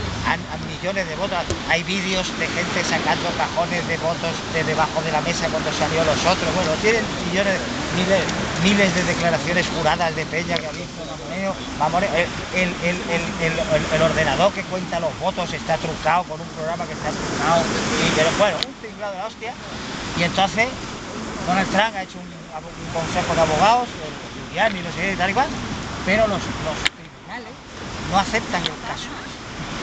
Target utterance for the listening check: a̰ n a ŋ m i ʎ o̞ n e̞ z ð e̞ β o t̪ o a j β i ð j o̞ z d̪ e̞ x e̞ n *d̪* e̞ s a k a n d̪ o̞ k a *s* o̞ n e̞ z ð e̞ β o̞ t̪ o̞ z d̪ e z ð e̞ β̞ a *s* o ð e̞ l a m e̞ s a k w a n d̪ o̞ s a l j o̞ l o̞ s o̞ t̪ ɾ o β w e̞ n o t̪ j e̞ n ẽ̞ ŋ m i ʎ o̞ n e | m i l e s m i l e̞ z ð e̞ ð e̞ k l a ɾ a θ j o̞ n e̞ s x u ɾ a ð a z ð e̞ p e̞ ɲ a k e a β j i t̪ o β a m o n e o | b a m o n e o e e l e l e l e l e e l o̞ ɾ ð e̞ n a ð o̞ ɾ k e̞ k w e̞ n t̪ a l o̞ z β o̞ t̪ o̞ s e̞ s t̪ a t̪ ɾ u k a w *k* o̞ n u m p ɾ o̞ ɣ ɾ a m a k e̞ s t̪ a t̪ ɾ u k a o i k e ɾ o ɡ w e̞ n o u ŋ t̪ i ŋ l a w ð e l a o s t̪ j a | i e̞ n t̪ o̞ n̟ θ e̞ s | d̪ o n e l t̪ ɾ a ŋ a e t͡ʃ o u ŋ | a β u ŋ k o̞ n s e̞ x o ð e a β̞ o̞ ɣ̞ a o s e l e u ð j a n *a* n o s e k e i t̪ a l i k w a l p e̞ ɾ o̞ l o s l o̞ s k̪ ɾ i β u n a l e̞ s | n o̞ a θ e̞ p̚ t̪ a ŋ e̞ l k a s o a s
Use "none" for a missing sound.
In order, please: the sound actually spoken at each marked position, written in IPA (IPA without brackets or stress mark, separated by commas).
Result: t̪, x, x, k, i